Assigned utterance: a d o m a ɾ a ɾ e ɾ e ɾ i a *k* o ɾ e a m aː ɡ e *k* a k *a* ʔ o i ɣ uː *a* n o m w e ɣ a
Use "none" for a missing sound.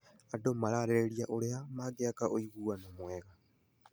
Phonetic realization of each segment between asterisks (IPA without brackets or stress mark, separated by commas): ʔ, none, a, a